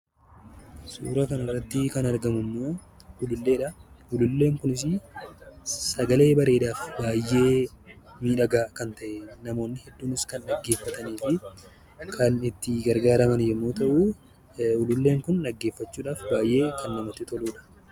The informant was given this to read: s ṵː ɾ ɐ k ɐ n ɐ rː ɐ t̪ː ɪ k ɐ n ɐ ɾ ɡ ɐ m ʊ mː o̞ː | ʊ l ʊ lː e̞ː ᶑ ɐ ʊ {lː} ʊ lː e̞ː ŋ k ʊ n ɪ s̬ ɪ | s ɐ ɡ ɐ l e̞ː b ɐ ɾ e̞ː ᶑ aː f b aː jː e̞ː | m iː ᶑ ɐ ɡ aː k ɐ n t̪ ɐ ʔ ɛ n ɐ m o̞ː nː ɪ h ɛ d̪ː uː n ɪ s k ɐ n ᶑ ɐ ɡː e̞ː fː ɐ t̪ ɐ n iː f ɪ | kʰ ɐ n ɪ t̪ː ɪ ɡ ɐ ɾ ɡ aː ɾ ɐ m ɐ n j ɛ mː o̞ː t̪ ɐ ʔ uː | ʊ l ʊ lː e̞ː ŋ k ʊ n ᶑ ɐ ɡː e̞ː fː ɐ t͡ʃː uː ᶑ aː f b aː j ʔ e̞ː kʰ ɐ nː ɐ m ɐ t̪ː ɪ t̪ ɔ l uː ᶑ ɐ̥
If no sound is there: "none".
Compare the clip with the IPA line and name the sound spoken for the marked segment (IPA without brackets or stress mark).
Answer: l